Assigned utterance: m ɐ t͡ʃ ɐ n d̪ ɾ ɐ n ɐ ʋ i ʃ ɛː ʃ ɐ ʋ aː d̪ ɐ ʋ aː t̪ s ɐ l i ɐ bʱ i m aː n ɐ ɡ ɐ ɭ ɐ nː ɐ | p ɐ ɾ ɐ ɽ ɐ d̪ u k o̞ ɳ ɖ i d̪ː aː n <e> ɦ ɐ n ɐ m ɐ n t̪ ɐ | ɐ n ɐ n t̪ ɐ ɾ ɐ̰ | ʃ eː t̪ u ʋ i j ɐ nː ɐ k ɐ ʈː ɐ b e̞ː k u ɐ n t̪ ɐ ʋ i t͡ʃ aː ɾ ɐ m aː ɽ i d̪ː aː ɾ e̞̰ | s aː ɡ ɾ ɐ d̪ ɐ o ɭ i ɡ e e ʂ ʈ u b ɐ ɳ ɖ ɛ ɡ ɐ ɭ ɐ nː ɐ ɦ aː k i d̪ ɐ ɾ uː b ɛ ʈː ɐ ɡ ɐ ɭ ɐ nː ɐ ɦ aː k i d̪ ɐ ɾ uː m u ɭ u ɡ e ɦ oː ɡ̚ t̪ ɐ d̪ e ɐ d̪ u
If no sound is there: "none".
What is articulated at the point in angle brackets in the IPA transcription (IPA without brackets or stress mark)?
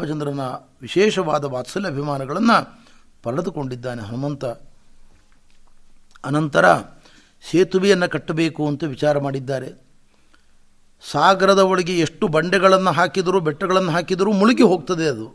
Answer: e